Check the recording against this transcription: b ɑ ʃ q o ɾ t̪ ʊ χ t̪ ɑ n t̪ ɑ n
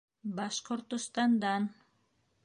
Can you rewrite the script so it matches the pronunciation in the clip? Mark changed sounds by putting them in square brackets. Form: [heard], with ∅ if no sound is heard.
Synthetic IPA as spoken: b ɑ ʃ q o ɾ t̪ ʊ [s] t̪ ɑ n [d̪] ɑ n